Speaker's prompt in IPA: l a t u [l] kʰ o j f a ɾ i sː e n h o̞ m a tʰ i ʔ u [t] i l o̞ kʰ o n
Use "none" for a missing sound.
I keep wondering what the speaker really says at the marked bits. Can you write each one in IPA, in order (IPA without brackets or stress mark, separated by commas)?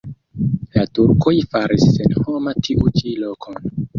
ɾ, t͡ʃ